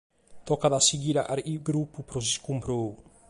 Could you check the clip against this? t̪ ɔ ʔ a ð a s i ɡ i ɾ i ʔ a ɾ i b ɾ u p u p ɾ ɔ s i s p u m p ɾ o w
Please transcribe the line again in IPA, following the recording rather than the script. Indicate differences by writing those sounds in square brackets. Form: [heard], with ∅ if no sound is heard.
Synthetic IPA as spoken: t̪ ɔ [k] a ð a s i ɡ i ɾ [a] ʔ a ɾ i [ɡ] ɾ u p u p ɾ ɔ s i s [k] u m p ɾ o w